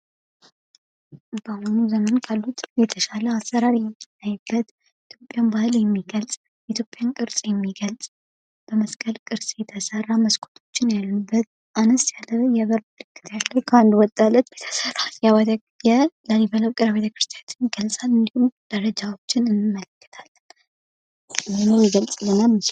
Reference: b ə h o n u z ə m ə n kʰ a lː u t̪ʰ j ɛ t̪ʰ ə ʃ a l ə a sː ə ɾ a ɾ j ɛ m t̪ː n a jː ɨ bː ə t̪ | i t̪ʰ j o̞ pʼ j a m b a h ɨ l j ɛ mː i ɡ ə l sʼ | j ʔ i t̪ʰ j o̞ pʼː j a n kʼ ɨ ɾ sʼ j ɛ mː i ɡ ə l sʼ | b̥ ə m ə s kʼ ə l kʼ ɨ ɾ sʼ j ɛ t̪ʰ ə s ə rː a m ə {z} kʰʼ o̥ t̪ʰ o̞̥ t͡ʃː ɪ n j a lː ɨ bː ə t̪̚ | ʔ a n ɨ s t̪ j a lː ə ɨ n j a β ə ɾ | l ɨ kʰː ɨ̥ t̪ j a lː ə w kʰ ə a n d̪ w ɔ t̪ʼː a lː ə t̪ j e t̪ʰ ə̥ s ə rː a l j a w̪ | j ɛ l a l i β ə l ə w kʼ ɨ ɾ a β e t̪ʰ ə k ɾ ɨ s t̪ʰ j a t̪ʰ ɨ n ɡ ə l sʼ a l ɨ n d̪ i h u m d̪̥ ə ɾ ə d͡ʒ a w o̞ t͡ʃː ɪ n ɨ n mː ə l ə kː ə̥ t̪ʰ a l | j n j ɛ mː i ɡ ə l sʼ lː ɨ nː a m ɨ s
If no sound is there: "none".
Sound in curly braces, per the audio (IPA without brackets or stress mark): s